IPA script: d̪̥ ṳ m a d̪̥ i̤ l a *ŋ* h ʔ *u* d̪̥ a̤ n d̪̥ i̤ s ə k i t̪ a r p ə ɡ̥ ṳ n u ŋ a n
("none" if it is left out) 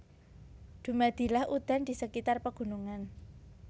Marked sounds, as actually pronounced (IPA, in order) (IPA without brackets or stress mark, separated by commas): none, u